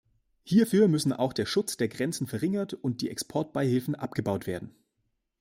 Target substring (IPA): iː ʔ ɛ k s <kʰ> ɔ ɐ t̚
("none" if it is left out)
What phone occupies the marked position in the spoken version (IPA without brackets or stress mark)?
pʰ